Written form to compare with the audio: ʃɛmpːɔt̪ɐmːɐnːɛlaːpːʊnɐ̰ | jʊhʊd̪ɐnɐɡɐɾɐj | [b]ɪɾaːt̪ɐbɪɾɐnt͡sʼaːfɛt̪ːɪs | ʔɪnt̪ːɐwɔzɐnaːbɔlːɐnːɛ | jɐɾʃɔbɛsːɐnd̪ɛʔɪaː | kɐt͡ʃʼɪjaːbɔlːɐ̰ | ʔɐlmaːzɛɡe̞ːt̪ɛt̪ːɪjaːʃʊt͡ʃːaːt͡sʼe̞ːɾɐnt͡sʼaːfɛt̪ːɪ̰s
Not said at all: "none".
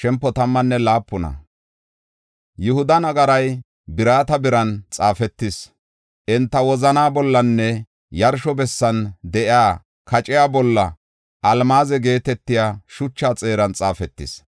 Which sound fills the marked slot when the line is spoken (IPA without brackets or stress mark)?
b